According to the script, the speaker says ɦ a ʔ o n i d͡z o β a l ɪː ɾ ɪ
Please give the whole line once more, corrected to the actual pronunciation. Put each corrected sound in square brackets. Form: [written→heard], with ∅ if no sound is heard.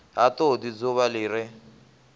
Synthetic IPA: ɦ a [ʔ→t] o [n→d] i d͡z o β a l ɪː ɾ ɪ